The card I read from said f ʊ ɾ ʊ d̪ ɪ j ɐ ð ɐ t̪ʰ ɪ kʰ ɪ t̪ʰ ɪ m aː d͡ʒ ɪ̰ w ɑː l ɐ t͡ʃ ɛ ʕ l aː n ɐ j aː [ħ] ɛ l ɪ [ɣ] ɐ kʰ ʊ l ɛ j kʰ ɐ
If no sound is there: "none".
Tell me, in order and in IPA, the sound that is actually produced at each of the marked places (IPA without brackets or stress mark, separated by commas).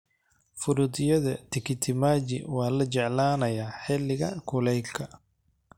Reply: ħ, ɣ